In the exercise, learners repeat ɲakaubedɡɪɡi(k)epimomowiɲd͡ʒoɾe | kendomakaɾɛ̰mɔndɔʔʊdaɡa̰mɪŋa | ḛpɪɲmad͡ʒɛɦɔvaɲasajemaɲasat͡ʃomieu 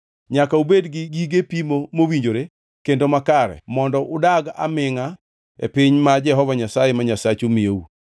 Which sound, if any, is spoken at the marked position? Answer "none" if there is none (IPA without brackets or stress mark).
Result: ɡ